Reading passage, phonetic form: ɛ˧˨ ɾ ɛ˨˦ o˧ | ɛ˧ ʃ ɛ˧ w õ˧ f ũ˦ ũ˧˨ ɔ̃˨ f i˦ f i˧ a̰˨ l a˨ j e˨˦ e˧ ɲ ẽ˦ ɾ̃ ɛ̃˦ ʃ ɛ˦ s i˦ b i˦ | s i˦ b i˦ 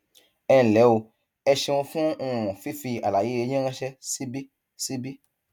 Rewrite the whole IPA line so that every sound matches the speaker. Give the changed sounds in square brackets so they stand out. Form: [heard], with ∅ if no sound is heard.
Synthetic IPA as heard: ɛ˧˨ [l] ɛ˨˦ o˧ | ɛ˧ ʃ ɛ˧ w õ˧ f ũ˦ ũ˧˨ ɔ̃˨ f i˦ f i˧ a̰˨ l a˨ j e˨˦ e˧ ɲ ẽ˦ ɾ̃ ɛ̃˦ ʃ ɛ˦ s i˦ b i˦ | s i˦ b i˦